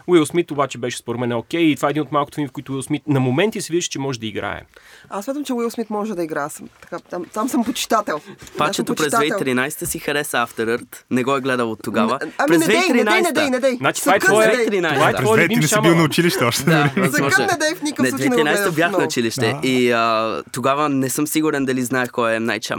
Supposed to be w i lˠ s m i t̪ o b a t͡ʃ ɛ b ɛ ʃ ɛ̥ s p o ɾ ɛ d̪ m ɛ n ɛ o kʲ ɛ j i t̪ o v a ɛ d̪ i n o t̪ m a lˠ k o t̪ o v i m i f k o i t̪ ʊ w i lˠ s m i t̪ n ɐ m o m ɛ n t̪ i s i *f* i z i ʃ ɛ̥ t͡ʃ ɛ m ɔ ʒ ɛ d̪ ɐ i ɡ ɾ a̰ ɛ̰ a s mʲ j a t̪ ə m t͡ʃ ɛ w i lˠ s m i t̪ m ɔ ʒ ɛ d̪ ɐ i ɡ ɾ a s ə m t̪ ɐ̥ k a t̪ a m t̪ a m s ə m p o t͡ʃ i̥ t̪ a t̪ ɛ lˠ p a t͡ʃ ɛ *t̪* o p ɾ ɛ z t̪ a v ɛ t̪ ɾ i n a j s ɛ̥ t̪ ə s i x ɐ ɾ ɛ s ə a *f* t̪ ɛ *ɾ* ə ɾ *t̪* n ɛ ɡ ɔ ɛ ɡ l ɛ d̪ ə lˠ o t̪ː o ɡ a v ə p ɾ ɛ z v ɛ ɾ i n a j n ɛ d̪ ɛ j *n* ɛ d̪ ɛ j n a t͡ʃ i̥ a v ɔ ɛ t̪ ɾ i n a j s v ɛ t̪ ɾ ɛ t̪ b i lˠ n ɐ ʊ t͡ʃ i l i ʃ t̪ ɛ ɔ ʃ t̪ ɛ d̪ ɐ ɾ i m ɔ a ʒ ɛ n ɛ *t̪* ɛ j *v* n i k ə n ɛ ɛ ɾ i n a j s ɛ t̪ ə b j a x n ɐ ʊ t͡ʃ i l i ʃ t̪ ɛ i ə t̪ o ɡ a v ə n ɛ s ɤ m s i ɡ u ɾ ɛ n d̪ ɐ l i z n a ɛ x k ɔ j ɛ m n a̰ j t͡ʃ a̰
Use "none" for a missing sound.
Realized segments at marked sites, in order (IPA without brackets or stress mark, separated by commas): v, t̪, f, ɾ, t̪, n, d̪, f